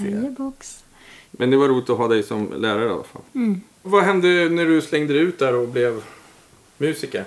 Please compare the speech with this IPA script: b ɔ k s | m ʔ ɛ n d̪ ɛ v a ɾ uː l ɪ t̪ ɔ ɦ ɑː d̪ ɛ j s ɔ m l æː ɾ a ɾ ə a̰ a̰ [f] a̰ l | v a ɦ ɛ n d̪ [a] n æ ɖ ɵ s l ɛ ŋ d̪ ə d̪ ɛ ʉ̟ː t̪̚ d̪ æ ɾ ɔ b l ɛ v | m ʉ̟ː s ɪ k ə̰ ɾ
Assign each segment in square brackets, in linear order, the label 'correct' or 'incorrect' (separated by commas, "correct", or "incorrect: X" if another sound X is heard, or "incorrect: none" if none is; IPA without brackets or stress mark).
correct, incorrect: ə